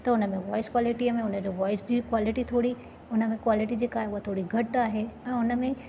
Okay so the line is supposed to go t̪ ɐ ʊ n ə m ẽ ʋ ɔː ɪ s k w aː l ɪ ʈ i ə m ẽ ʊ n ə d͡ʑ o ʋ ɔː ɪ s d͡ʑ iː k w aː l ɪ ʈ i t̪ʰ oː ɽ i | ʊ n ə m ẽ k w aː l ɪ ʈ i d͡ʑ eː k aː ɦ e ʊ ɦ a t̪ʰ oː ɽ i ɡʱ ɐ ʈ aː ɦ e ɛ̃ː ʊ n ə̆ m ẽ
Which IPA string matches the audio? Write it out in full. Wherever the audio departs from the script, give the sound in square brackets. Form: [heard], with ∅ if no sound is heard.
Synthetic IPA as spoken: t̪ ɐ ʊ n ə m ẽ ʋ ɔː ɪ s k w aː l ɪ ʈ i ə m ẽ ʊ n ə d͡ʑ o ʋ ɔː ɪ s d͡ʑ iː k w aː l ɪ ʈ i t̪ʰ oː ɽ i | ʊ n ə m ẽ k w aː l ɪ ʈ i d͡ʑ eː k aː ɦ e ʊ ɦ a t̪ʰ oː ɽ i ɡʱ ɐ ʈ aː ɦ e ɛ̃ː ʊ n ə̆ m ẽ

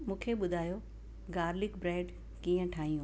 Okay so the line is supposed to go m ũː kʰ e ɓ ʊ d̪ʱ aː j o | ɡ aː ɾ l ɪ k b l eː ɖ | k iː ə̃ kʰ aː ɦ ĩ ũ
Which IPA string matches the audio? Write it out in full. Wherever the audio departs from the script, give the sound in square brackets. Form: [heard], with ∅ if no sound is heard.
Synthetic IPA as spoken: m ũː kʰ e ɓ ʊ d̪ʱ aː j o | ɡ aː ɾ l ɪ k b [ɾ] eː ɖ | k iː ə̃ [ʈʰ] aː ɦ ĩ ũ

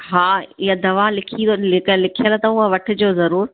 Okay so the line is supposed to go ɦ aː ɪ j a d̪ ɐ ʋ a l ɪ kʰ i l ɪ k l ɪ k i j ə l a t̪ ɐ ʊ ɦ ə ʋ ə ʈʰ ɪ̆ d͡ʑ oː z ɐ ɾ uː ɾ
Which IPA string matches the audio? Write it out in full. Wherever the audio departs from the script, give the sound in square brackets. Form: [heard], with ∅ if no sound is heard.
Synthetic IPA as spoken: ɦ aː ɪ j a d̪ ɐ ʋ a l ɪ kʰ i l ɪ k l ɪ [kʰ] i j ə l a t̪ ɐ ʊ ɦ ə ʋ [ɐ] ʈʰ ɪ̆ d͡ʑ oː z ɐ ɾ uː ɾ

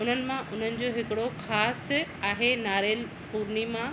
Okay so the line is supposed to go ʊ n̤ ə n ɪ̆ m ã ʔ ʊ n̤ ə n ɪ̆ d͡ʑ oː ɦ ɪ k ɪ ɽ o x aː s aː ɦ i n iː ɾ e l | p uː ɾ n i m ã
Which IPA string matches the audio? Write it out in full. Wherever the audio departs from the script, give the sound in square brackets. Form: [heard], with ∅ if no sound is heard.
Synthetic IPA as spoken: ʊ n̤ ə n ɪ̆ m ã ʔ ʊ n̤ ə n ɪ̆ d͡ʑ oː ɦ ɪ k ɪ ɽ o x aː s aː ɦ [e] n [aː] ɾ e l | p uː ɾ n i m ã

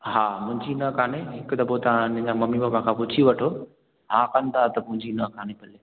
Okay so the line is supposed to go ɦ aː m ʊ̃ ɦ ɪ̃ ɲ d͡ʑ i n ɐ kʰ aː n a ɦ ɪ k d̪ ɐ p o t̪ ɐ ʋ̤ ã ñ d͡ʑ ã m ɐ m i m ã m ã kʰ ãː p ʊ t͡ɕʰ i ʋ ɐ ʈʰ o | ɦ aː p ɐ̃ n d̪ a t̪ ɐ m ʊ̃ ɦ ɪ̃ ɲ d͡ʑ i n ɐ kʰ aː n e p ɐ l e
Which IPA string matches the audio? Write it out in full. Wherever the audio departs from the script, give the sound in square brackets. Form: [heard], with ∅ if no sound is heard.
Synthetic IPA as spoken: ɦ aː m ʊ̃ ɦ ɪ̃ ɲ d͡ʑ i n ɐ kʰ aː n [e] ɦ ɪ k d̪ ɐ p o t̪ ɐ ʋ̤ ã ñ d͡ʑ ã m ɐ m i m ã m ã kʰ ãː p ʊ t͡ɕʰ i ʋ ɐ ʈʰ o | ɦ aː [k] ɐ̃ n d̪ a t̪ ɐ m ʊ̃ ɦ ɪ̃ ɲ d͡ʑ i n ɐ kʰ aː n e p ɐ l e

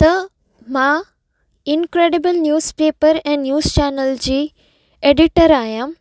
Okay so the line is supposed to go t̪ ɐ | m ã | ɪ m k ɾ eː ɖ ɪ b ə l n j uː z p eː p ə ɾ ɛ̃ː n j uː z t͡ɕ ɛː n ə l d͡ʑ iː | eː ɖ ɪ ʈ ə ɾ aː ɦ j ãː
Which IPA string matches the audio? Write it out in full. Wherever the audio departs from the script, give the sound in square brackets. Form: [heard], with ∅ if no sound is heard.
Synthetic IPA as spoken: t̪ ɐ | m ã | ɪ [n] k ɾ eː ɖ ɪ b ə l n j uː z p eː p ə ɾ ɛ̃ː n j uː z t͡ɕ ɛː n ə l d͡ʑ iː | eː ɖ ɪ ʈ ə ɾ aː ɦ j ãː

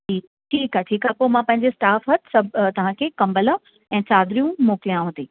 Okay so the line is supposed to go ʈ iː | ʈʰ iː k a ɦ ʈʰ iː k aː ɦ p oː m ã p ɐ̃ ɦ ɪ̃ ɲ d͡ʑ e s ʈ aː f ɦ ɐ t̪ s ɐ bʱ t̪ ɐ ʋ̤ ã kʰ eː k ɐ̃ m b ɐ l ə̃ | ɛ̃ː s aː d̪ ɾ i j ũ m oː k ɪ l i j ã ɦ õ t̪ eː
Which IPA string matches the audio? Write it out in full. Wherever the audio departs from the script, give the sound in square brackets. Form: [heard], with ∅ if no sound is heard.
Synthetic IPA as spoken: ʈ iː | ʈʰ iː k a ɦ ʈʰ iː k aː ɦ p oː m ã p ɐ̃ ɦ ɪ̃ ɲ d͡ʑ e s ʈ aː f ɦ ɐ t̪ s ɐ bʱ t̪ ɐ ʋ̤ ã kʰ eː k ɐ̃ m b [ə] l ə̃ | ɛ̃ː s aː d̪ ɾ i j ũ m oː k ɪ l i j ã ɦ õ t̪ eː

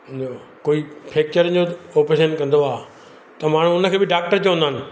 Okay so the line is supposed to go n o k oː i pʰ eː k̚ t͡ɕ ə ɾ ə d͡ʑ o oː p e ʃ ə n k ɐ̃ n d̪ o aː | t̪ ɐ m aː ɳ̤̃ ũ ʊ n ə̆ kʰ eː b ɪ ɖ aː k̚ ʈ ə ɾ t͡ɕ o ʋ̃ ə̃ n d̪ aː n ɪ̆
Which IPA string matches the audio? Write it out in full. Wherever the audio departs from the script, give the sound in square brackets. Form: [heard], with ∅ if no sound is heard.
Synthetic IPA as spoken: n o k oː i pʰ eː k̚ t͡ɕ ə ɾ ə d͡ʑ o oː p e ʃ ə n k ɐ̃ n d̪ o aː | t̪ ɐ m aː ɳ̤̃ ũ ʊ n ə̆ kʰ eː b ɪ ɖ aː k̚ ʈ ə ɾ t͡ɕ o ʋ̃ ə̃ n d̪ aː n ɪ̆

